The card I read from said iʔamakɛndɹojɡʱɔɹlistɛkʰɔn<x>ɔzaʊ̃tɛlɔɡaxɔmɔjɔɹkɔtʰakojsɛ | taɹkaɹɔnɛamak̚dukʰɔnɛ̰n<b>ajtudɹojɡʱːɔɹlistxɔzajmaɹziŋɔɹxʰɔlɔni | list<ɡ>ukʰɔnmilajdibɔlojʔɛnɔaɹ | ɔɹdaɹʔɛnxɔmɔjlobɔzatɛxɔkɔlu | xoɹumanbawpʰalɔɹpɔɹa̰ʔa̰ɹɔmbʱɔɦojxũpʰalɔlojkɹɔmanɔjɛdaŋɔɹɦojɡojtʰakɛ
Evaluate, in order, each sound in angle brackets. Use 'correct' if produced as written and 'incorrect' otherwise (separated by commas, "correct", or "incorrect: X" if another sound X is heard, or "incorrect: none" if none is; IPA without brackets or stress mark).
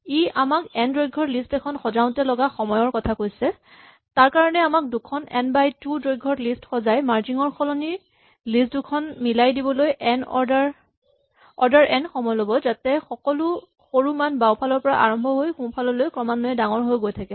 correct, correct, incorrect: d